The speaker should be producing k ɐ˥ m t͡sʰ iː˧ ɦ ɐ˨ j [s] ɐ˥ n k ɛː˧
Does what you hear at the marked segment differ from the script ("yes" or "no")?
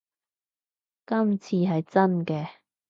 yes